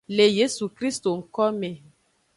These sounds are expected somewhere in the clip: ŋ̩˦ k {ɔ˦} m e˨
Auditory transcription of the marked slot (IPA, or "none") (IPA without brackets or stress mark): ɔ˦